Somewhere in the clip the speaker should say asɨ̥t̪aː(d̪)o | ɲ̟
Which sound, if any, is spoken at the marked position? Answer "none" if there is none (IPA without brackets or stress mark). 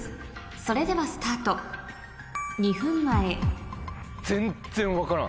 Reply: t̪